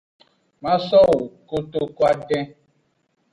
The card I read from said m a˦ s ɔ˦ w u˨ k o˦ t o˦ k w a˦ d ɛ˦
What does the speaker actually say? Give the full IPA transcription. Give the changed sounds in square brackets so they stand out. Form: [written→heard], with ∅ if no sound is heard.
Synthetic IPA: m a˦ s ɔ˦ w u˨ k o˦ t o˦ k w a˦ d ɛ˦